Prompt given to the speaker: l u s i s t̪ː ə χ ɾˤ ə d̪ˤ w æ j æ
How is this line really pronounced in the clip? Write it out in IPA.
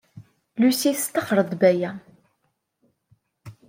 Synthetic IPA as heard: l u s i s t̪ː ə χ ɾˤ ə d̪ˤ b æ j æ